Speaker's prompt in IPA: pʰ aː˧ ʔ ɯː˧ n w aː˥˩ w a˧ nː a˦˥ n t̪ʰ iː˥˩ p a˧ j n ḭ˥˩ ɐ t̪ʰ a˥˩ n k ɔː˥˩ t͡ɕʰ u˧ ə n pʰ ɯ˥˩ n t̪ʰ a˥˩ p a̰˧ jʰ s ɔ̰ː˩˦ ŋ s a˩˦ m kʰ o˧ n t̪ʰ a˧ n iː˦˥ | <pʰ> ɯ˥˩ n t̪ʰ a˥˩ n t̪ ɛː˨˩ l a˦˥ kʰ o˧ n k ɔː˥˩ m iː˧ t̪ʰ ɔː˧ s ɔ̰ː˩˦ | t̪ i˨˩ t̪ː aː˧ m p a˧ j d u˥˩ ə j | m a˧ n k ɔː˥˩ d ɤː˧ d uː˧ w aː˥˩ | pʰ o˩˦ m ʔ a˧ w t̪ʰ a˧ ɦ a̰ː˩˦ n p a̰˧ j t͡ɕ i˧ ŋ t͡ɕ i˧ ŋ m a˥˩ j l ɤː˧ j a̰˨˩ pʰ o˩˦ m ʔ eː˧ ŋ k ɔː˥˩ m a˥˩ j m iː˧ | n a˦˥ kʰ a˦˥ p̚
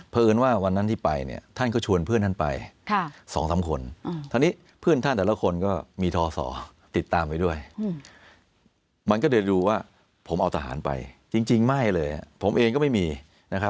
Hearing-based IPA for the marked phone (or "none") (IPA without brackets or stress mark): pʰ